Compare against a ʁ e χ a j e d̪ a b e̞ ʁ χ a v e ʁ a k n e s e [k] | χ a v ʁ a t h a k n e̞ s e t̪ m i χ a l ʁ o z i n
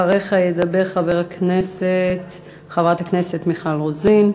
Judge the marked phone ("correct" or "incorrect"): incorrect